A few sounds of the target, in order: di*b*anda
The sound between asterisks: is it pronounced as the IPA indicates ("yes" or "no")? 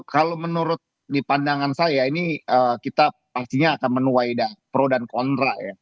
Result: no